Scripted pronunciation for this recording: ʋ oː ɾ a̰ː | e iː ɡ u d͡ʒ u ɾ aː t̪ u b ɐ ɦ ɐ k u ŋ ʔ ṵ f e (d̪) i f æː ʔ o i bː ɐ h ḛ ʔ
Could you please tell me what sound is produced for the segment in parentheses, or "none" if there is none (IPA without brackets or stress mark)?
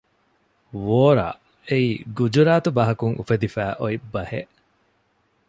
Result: d̪